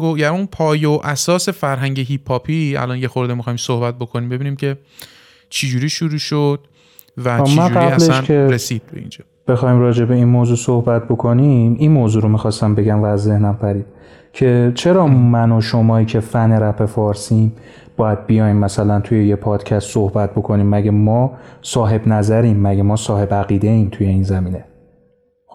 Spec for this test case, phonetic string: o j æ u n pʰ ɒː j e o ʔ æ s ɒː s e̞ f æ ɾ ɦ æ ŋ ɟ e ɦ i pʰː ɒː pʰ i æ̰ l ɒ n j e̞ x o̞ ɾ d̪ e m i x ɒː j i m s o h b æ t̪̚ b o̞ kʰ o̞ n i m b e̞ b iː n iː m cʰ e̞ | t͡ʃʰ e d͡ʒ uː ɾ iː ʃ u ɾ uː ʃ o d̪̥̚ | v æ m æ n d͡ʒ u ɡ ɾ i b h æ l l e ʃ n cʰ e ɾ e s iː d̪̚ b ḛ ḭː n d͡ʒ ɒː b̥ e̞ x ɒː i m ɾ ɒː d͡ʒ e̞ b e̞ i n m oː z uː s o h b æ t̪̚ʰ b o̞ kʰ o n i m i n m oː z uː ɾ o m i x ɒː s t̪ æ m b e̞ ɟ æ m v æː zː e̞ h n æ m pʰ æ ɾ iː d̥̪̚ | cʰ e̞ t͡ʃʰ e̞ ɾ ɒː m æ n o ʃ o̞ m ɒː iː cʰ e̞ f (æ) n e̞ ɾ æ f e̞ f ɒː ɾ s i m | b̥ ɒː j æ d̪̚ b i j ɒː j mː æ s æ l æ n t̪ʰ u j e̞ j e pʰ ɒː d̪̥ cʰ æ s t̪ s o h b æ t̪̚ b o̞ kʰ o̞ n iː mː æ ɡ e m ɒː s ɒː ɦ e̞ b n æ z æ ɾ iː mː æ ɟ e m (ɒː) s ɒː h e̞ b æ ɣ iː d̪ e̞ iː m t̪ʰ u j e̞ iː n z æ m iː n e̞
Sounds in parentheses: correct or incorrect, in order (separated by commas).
correct, correct